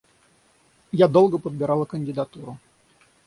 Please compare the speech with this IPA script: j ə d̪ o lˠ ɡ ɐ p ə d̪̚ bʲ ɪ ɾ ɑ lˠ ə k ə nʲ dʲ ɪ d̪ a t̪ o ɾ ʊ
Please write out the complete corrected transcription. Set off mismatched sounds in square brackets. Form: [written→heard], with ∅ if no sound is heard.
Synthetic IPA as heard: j [ə→a] d̪ o lˠ ɡ [ɐ→ə] p ə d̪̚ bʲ ɪ ɾ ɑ lˠ ə k ə nʲ dʲ ɪ d̪ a t̪ [o→u] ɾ ʊ